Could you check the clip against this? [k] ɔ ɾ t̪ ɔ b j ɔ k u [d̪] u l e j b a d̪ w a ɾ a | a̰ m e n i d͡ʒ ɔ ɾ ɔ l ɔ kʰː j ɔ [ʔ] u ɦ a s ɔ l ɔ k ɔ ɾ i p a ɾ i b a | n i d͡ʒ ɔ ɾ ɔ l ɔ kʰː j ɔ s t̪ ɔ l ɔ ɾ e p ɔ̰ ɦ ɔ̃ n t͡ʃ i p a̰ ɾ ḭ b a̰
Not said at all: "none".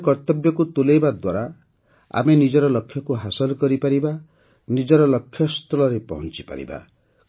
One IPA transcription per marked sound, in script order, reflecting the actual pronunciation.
k, t̪, k

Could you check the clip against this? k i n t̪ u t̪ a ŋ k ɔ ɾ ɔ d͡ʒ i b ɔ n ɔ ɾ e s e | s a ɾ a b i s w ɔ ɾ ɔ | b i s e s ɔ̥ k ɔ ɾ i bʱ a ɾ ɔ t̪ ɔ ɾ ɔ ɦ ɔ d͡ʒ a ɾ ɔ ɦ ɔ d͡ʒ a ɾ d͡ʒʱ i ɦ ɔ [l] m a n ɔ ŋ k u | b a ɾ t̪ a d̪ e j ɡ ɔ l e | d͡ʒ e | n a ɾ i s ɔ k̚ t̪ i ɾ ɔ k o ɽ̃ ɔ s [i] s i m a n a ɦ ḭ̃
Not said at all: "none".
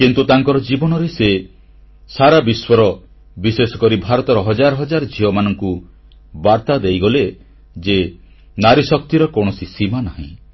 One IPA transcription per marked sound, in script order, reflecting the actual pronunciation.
none, i

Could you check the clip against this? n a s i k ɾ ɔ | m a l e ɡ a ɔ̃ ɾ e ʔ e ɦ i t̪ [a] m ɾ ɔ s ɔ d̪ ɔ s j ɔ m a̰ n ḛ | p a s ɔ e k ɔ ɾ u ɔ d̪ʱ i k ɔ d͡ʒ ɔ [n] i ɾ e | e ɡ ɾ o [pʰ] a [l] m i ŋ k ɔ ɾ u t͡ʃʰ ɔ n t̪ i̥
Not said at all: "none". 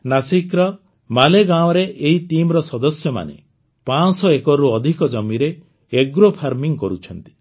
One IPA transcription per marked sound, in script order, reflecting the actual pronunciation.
i, m, pʰ, ɾ

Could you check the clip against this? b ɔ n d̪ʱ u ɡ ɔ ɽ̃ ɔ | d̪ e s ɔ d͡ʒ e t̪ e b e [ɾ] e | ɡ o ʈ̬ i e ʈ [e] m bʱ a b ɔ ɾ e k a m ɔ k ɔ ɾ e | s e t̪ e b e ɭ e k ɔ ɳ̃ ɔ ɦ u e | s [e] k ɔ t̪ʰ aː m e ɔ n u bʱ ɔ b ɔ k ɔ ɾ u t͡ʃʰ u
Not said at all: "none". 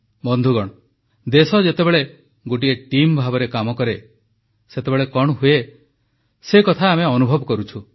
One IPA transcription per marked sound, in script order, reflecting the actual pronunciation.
ɭ, i, e

